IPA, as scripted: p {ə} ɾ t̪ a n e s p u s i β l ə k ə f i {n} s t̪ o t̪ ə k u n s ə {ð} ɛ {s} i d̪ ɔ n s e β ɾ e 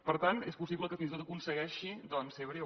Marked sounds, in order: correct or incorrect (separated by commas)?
correct, correct, incorrect, incorrect